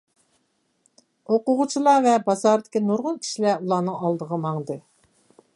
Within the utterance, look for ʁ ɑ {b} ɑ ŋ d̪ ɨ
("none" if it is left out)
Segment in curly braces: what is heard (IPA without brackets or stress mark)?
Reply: m